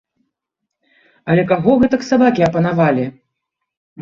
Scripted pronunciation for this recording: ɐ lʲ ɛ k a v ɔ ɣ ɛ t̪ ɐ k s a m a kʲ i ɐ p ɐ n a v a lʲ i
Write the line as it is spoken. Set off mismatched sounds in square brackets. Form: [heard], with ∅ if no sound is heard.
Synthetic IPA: ɐ lʲ ɛ k a [ɣ] ɔ ɣ ɛ t̪ ɐ k s a [b] a kʲ i ɐ p ɐ n a v a lʲ i